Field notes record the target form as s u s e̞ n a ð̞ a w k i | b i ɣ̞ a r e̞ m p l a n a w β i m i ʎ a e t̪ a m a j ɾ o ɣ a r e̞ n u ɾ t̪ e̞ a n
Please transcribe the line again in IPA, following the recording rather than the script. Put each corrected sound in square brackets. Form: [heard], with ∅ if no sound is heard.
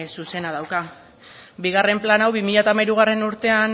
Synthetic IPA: s u s e̞ n a ð̞ a w k [a] | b i ɣ̞ a r e̞ m p l a n a w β i m i ʎ a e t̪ a m a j ɾ [u] ɣ a r e̞ n u ɾ t̪ e̞ a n